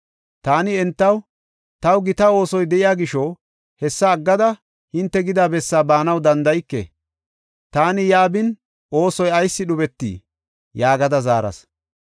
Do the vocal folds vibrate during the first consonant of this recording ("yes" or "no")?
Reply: no